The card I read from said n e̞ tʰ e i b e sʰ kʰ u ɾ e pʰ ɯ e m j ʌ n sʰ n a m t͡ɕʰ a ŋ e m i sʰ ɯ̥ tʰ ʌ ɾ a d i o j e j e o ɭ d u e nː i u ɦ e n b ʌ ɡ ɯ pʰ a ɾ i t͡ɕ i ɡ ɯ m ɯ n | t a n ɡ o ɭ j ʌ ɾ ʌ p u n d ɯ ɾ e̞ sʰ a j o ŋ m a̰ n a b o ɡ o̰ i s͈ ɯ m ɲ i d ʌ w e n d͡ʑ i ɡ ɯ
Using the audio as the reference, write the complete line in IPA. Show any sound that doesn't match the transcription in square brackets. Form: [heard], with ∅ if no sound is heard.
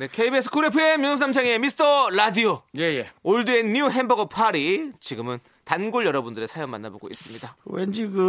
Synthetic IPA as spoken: n e̞ [kʰ] e i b e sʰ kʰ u ɾ e pʰ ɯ e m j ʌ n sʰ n a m t͡ɕʰ a ŋ e m i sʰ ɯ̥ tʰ ʌ ɾ a d i o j e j e o ɭ d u e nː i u ɦ e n b ʌ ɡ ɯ pʰ a ɾ i t͡ɕ i ɡ ɯ m ɯ n | t a n ɡ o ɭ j ʌ ɾ ʌ [b] u n d ɯ ɾ e̞ sʰ a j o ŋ m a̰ [nː] a b o ɡ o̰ i s͈ ɯ m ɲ i d [a] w e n d͡ʑ i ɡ ɯ